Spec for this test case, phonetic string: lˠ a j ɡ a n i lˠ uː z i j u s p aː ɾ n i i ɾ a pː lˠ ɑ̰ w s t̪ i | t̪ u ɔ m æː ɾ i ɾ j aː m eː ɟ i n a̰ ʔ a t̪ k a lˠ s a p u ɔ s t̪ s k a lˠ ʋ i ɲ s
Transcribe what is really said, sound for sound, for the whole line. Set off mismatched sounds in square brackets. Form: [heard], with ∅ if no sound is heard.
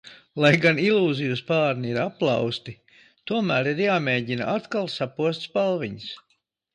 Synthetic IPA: lˠ a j ɡ a n i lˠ uː z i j u s p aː ɾ n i i ɾ a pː lˠ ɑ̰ w s t̪ i | t̪ u ɔ m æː ɾ i ɾ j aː m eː ɟ i n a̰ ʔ a t̪ k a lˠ s a p u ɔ s t̪ s [p] a lˠ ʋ i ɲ s